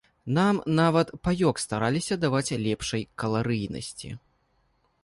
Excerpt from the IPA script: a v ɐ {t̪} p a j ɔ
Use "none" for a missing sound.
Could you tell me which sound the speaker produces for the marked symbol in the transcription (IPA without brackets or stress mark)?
t̪